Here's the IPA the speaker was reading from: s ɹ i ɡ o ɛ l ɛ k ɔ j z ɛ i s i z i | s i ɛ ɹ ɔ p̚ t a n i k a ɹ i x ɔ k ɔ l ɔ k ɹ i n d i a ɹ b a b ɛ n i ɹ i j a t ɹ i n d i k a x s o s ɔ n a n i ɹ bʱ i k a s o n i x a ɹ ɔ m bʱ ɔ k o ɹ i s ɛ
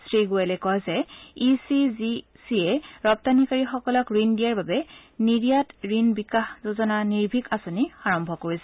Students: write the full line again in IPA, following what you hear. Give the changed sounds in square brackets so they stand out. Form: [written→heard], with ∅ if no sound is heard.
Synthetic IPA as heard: s ɹ i ɡ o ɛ l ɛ k ɔ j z ɛ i s i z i | s i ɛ ɹ ɔ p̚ t a n i k a ɹ i x ɔ k ɔ l ɔ k ɹ i n d i a ɹ b a b ɛ n i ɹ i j a t ɹ i n [d→b] i k a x [s→z] o [s→z] ɔ n a n i ɹ bʱ i k a s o n i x a ɹ ɔ m bʱ ɔ k o ɹ i s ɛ

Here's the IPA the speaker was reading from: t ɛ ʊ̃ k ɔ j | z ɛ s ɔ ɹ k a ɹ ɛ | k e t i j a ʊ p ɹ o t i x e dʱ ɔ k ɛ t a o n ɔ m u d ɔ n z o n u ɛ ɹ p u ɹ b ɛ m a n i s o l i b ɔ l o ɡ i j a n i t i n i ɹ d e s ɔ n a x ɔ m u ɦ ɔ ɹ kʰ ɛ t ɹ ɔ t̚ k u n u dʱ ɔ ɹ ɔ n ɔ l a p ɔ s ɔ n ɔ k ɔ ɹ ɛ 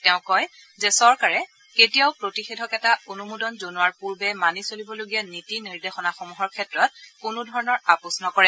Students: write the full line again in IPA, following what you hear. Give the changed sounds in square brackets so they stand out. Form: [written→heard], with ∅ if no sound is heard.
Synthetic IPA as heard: t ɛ ʊ̃ k ɔ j | z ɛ s ɔ ɹ k a ɹ ɛ | k e t i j a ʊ p ɹ o t i x e dʱ ɔ k ɛ t a o n [ɔ→u] m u d ɔ n z o n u [ɛ→a] ɹ p u ɹ b ɛ m a n i s o l i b ɔ l o ɡ i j a n i t i n i ɹ d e [s→x] ɔ n a x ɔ m u ɦ ɔ ɹ kʰ ɛ t ɹ ɔ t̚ k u n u dʱ ɔ ɹ ɔ n ɔ [l→ɹ] a p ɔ s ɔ n ɔ k ɔ ɹ ɛ

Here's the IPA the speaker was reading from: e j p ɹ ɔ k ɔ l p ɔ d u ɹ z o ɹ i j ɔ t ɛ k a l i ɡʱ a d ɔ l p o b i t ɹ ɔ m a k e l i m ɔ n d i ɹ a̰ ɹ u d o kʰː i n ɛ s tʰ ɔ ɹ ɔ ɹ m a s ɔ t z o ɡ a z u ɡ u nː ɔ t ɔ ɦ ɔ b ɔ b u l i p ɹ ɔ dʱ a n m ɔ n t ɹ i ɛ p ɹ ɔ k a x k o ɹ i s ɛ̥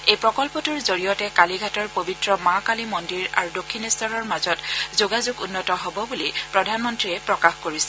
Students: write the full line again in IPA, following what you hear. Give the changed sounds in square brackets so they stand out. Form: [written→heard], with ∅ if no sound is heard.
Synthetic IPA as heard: e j p ɹ ɔ k ɔ l p ɔ [d→t] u ɹ z o ɹ i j ɔ t ɛ k a l i ɡʱ a [d→t] ɔ [l→ɹ] p o b i t ɹ ɔ m a k [e→a] l i m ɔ n d i ɹ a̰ ɹ u d o kʰː i n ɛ s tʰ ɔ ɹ ɔ ɹ m a [s→z] ɔ t z o ɡ a z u ɡ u nː ɔ t ɔ ɦ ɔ b ɔ b u l i p ɹ ɔ dʱ a n m ɔ n t ɹ i ɛ p ɹ ɔ k a x k o ɹ i s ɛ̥

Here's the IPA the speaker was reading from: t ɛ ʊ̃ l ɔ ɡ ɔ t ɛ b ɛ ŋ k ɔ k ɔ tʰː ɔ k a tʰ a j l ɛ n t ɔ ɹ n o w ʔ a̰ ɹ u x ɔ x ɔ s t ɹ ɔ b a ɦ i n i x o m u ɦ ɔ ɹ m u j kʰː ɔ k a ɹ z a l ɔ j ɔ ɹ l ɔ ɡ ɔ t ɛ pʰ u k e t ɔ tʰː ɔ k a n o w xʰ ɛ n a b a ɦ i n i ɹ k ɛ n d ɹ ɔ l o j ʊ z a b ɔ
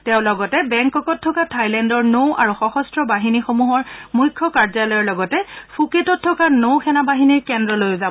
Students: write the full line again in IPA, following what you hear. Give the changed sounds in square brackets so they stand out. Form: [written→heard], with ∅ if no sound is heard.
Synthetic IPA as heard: t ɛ ʊ̃ l ɔ ɡ ɔ t ɛ b ɛ ŋ k ɔ k ɔ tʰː ɔ k a tʰ a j l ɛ n [t→d] ɔ ɹ n o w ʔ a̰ ɹ u x ɔ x ɔ s t ɹ ɔ b a ɦ i n i x o m u ɦ ɔ ɹ m u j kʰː ɔ k a ɹ z a l ɔ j ɔ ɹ l ɔ ɡ ɔ t ɛ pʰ u k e t ɔ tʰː ɔ k a n o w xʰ ɛ n a b a ɦ i n i ɹ k ɛ n d ɹ ɔ l o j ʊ z a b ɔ

